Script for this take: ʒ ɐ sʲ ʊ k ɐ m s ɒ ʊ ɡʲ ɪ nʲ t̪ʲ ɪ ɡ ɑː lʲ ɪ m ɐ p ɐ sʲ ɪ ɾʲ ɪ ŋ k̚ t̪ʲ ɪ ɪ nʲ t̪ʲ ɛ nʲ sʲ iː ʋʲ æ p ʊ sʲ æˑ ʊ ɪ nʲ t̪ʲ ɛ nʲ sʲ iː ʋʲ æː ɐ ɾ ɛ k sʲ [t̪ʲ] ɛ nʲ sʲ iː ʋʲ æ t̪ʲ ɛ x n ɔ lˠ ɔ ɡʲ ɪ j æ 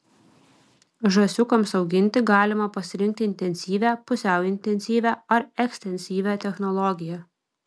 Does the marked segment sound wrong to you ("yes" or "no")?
no